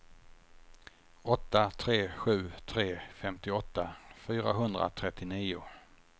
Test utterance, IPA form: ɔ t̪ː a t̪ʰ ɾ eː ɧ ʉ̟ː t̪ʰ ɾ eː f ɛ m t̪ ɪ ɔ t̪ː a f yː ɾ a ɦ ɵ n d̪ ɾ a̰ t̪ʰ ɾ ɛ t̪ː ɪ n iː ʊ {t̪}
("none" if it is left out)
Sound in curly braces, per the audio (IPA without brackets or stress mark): none